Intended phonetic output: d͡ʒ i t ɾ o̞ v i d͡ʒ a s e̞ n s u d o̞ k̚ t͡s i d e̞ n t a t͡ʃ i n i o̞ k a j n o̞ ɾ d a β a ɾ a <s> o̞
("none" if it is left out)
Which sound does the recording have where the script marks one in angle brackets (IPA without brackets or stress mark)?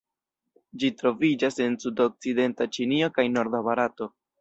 t